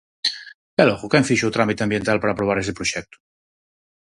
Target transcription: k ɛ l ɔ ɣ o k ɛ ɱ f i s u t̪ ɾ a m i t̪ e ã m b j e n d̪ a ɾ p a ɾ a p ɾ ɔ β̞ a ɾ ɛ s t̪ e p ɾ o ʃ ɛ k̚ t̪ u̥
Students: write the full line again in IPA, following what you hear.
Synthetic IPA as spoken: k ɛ l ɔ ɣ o k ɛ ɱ f i ʃ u t̪ ɾ a m i t̪ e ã m b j e n t̪ a l p a ɾ a p ɾ o β̞ a ɾ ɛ s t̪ e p ɾ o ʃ ɛ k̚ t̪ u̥